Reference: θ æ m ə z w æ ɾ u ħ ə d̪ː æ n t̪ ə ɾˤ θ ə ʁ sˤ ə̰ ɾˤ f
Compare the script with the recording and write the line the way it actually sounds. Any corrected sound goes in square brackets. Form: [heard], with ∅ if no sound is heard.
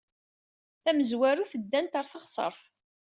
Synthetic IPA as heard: θ æ m ə z w æ ɾ u [θ] ə d̪ː æ n t̪ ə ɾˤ θ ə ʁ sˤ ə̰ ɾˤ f